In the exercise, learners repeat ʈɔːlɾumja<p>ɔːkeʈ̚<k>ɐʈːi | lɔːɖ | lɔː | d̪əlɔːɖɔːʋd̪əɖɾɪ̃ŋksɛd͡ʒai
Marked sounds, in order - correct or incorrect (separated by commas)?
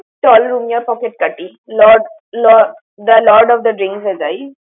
correct, correct